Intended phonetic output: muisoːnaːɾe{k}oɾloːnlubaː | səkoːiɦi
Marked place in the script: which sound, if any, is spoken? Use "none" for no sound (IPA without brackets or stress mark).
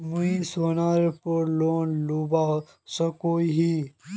p